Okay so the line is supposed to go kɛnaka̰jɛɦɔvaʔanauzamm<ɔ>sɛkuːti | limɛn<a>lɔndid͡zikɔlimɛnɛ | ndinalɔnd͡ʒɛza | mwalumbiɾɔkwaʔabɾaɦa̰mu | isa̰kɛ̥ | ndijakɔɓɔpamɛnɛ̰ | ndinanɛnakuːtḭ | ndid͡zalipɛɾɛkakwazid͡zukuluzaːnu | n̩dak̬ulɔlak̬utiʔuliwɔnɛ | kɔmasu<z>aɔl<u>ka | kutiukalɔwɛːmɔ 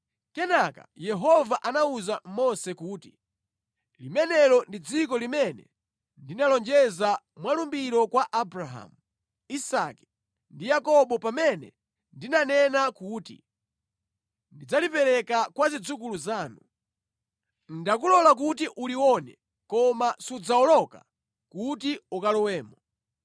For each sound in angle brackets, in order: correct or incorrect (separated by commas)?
correct, incorrect, incorrect, incorrect